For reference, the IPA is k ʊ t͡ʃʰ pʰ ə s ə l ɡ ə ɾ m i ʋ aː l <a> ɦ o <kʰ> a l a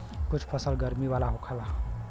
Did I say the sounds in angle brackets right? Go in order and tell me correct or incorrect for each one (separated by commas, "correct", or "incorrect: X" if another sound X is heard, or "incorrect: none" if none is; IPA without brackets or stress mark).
correct, correct